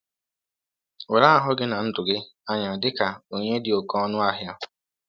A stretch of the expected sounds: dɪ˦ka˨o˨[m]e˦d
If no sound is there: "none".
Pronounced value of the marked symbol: ɲ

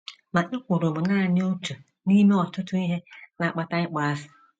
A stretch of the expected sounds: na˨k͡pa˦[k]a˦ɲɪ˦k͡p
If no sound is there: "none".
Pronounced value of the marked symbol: t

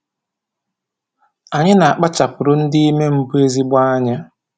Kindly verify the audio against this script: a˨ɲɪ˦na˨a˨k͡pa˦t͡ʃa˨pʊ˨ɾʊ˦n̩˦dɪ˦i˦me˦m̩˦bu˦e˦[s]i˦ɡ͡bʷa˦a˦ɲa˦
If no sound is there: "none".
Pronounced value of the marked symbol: z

